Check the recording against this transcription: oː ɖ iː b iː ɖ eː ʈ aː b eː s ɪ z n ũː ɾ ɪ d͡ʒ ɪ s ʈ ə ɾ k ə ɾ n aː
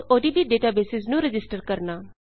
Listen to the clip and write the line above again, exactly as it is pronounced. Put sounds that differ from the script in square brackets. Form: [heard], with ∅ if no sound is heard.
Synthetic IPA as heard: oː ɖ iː b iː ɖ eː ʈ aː b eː s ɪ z n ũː ɾ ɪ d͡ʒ ɪ s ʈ ə ɾ k ə ɾ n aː